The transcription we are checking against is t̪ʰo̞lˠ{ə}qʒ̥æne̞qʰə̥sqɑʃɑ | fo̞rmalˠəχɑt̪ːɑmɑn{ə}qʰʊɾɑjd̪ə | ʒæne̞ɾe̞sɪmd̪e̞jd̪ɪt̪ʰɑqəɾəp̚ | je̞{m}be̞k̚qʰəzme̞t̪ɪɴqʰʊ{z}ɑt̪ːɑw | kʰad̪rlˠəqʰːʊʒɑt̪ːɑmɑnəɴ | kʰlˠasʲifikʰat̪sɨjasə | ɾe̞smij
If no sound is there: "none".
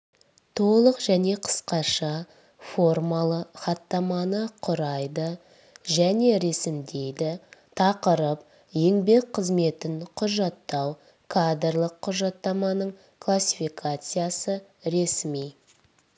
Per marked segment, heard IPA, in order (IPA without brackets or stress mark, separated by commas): ə, ə, ŋ, ʒ